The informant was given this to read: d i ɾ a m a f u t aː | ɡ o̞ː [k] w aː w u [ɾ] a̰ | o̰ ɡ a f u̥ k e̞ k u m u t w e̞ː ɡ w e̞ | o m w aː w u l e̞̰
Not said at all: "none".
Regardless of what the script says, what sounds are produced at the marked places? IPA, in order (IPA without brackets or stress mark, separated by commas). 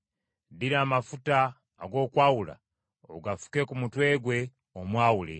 k, l